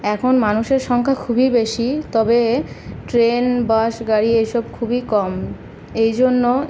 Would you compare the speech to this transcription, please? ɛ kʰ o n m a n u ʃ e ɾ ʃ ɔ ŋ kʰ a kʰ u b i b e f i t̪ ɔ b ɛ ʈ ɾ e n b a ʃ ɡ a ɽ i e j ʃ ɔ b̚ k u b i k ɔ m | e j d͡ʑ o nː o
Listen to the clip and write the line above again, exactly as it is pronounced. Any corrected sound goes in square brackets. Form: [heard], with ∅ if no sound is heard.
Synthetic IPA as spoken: ɛ kʰ o n m a n u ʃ e ɾ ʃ ɔ ŋ kʰ a kʰ u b i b e [ʃ] i t̪ ɔ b [e] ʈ ɾ e n b a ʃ ɡ a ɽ i e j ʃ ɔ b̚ [kʰ] u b i k ɔ m | e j d͡ʑ o nː o